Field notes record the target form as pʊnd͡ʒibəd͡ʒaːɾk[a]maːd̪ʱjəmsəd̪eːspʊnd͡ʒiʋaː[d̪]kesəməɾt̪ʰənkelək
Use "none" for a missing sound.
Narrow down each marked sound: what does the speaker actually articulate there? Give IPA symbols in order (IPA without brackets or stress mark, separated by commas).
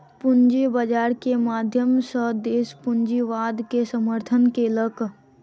e, d̪